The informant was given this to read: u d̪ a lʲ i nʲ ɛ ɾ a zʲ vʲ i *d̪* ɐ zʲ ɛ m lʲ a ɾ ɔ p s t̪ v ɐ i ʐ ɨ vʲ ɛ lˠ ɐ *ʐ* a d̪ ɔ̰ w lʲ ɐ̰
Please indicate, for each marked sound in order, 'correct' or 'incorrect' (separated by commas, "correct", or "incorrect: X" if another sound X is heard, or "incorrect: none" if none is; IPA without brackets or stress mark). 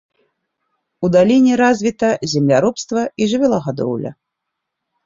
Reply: incorrect: t̪, incorrect: ɣ